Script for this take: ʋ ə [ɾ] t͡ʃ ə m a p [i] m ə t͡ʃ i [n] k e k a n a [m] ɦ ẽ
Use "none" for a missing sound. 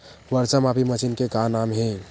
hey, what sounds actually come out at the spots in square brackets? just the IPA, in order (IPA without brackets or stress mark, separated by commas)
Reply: ɾ, i, n, m